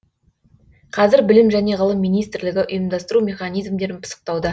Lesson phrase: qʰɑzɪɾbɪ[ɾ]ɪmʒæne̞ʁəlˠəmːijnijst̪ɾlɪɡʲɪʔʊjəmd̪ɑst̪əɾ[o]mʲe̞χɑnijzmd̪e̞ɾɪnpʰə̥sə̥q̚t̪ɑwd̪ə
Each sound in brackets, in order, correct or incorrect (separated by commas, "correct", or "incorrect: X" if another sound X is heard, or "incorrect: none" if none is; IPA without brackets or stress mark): incorrect: l, incorrect: u